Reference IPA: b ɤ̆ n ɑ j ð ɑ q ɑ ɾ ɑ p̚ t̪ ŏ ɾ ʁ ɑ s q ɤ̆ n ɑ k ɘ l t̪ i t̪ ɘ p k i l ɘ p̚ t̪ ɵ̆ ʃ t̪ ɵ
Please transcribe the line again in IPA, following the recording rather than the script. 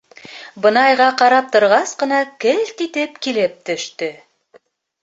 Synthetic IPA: b ɤ̆ n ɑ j ʁ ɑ q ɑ ɾ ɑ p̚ t̪ ŏ ɾ ʁ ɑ s q ɤ̆ n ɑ k ɘ l t̪ i t̪ ɘ p k i l ɘ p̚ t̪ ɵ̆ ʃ t̪ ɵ